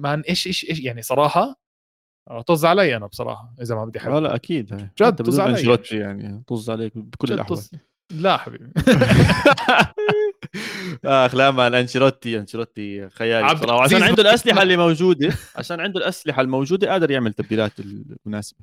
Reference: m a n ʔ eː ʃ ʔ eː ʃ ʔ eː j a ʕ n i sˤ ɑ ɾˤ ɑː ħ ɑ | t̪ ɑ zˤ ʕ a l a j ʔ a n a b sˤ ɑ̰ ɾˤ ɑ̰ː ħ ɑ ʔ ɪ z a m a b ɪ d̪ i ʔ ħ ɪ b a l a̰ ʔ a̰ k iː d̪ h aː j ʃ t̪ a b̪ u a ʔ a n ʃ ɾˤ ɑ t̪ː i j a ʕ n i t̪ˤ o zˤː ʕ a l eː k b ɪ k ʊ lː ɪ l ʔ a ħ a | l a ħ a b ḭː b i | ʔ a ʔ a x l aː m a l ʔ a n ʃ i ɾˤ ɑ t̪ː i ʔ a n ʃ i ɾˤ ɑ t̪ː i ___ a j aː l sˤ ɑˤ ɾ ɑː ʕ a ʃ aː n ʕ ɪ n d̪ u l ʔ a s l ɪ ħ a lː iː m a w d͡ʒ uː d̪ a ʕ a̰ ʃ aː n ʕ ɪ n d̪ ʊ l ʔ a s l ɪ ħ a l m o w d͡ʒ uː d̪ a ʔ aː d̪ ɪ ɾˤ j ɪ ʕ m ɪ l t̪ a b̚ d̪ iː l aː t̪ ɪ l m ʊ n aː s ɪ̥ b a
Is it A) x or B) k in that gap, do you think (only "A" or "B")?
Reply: A